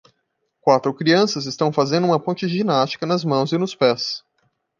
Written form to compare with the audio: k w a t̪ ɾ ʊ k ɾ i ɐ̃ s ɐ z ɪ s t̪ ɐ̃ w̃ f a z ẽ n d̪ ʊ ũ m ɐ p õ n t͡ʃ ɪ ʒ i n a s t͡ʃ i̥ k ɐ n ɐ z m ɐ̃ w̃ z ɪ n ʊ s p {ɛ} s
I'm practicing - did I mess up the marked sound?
no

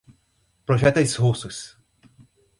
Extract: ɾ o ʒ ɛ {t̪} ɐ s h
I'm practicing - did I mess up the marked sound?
no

